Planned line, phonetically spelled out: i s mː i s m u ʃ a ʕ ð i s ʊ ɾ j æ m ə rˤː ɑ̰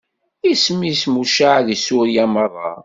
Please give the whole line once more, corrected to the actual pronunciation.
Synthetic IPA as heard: i s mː i s m u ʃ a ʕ ð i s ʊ ɾ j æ m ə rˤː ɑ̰

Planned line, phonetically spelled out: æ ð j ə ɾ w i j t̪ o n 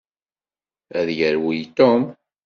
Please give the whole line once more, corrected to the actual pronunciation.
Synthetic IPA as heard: æ ð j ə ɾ w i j t̪ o m

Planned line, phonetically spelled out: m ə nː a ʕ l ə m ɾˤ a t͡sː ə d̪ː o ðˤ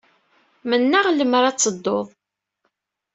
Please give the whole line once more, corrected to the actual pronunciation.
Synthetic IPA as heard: m ə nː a ʁ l ə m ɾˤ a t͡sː ə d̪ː o ðˤ

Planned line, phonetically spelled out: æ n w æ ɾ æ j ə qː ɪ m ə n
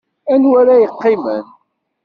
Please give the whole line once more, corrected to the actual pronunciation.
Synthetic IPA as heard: æ n w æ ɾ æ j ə qː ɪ m ə n

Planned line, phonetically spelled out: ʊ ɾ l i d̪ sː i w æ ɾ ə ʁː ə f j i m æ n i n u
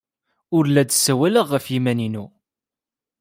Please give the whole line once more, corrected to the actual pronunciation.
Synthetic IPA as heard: ʊ ɾ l æ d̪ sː æ w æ l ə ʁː ə f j i m æ n i n u

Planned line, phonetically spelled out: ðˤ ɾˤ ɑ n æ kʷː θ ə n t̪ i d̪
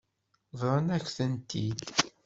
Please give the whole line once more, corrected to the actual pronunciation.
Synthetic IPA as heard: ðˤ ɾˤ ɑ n æ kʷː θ ə n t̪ i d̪

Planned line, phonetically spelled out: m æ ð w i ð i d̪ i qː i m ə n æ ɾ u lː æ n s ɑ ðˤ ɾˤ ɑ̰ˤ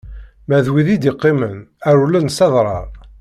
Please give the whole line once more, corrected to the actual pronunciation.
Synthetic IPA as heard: m æ ð w i ð i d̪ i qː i m ə n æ ɾ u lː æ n s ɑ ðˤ ɾˤ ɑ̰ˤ

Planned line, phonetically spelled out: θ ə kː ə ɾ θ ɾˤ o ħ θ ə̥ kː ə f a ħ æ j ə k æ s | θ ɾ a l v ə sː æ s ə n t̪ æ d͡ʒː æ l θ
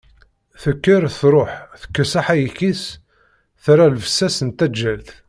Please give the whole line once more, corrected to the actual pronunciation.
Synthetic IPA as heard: θ ə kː ə ɾ θ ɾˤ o ħ θ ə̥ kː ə s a ħ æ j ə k i s | θ ɾ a l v ə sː æ s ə n t̪ æ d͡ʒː æ l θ

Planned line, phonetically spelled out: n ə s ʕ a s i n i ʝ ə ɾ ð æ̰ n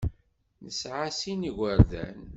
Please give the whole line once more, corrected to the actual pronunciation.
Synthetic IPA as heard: n ə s ʕ a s i n i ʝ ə ɾ ð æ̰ n

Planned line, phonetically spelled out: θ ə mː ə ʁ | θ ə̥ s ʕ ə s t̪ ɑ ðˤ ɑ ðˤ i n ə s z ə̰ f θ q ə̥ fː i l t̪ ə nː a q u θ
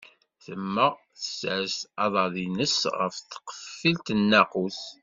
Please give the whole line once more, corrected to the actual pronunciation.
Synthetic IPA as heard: θ ə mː ə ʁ | θ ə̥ s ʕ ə s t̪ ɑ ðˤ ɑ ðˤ i n ə s ʁ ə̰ f θ q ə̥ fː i l t̪ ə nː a q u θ

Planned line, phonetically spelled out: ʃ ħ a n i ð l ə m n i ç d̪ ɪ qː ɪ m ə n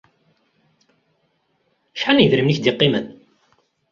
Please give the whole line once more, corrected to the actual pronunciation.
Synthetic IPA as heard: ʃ ħ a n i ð ɾ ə m n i ç d̪ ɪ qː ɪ m ə n

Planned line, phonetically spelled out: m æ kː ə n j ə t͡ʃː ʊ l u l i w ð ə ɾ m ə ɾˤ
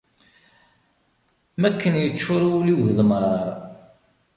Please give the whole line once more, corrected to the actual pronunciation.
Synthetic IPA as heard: m æ kː ə n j ə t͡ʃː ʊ ɾ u l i w ð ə l m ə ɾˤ

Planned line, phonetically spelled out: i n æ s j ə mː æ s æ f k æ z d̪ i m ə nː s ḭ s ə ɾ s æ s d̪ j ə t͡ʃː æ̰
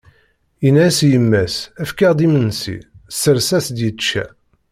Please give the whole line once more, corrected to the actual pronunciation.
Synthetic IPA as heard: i n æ s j ə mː æ s æ f k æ ʁ d̪ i m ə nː s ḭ s ə ɾ s æ s d̪ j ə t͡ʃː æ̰

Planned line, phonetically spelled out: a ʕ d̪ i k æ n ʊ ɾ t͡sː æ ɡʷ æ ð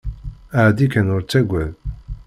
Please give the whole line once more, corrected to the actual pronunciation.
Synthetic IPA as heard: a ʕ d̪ i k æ n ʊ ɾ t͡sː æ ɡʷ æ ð

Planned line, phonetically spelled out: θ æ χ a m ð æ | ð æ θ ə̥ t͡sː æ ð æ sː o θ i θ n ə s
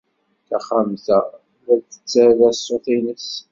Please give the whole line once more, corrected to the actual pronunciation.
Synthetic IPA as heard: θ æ χ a m θ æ | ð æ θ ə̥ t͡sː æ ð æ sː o θ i n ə s

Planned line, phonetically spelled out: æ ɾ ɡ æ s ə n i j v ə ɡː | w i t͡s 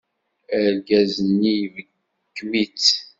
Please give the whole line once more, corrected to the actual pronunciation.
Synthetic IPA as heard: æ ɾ ɡ æ z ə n i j v ə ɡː | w i t͡s

